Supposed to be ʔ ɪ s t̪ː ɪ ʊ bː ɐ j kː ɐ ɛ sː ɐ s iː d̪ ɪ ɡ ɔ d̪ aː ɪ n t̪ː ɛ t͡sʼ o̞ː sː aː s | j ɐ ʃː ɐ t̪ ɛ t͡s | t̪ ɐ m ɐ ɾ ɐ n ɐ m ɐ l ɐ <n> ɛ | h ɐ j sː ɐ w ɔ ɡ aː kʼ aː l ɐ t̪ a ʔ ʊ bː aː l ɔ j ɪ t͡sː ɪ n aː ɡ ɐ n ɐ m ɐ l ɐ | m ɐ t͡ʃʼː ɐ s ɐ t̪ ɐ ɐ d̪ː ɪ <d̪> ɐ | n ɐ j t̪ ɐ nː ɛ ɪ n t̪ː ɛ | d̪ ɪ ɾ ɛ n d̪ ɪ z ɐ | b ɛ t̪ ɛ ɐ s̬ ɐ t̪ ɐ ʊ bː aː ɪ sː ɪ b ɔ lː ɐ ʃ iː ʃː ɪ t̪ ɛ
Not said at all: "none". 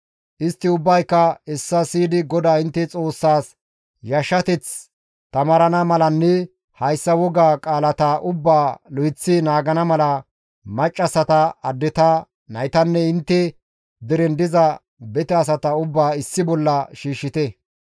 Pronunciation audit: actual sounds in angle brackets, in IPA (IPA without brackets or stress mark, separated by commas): nː, t̪